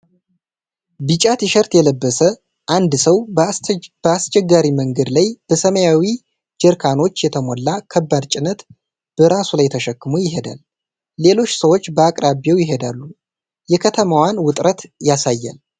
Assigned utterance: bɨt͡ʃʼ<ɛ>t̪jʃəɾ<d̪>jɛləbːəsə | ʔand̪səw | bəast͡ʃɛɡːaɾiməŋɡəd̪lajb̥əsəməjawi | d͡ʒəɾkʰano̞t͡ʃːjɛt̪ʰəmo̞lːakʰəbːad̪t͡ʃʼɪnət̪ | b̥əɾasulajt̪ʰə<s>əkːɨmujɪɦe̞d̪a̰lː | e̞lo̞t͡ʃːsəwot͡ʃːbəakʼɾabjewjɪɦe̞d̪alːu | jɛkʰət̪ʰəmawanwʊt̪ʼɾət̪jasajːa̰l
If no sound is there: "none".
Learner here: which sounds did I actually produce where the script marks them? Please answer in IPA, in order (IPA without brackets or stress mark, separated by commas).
a, t̪, ʃ